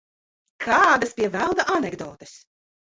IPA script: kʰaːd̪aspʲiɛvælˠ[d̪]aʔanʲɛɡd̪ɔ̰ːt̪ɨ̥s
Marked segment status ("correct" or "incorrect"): correct